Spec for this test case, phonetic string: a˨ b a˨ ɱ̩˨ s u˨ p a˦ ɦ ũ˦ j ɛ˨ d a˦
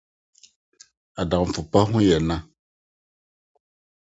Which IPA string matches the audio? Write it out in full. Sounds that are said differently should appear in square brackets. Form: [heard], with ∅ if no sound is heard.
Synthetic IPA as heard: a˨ [d] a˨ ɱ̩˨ [f] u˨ p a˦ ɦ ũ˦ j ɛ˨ [n] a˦